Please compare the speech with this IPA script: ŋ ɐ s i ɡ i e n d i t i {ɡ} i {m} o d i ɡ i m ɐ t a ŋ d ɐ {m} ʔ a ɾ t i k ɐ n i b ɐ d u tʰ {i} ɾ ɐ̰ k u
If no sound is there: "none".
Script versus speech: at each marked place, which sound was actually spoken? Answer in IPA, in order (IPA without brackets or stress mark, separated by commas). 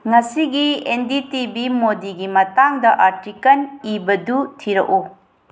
b, m, none, i